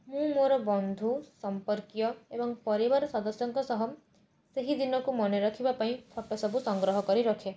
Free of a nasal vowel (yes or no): no